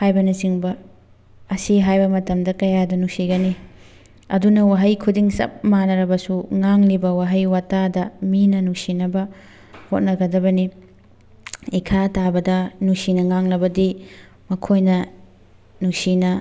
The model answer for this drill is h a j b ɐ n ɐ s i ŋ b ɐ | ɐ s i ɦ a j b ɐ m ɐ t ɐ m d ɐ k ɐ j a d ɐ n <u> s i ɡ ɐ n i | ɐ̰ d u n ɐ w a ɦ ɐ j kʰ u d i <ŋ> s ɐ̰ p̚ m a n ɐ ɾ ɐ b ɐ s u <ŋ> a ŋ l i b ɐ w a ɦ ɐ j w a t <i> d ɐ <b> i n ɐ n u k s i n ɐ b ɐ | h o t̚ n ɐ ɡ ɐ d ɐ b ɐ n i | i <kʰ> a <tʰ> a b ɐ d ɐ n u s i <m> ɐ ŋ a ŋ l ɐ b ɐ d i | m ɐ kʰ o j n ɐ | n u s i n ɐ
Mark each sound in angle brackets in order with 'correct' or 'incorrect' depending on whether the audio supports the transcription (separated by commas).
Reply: correct, correct, correct, incorrect, incorrect, correct, incorrect, incorrect